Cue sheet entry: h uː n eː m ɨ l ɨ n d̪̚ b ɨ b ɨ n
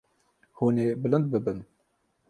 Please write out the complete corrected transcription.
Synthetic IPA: h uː n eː b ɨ l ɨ n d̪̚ b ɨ b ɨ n